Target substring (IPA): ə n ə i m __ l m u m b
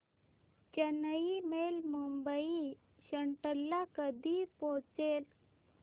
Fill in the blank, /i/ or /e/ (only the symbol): e